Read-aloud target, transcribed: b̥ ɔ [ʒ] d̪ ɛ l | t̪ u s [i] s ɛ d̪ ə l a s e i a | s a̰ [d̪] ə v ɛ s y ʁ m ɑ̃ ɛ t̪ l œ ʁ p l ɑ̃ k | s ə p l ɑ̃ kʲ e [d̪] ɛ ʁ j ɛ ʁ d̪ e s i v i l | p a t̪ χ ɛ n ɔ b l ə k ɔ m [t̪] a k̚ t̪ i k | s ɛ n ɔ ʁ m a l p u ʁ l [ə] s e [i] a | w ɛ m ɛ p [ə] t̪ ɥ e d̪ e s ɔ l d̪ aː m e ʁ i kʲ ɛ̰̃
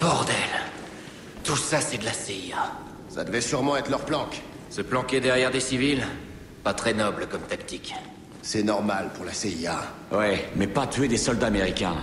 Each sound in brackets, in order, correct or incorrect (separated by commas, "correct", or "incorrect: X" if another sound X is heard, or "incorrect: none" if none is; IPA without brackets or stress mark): incorrect: ʁ, incorrect: a, correct, correct, correct, incorrect: a, correct, incorrect: a